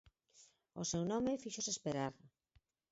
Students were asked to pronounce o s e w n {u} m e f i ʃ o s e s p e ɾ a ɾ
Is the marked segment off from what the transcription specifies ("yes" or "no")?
yes